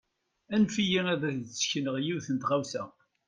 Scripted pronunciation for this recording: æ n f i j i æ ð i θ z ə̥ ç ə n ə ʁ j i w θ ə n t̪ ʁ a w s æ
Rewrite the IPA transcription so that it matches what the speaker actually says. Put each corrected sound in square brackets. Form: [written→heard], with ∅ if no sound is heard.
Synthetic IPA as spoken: æ n f i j i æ ð [i→æ] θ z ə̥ ç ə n ə ʁ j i w θ ə n t̪ ʁ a w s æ